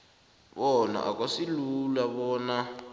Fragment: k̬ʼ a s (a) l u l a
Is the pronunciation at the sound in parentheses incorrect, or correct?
incorrect